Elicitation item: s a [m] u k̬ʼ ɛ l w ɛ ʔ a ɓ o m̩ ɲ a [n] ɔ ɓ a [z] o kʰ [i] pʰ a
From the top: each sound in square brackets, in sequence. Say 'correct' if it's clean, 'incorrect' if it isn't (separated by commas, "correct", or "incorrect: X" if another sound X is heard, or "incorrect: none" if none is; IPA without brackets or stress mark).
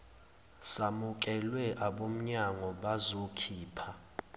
correct, incorrect: ŋ, correct, incorrect: iː